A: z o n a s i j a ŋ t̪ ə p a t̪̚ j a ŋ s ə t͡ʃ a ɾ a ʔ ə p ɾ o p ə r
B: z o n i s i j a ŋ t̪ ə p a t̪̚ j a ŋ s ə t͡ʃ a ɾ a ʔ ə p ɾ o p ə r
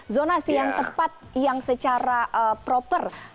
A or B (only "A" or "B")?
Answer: A